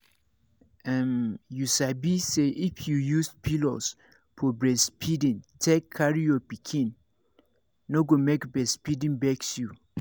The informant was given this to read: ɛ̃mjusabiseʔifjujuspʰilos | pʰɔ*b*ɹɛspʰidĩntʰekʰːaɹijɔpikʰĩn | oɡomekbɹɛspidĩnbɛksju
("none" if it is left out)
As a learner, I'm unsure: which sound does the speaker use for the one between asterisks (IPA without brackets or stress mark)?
b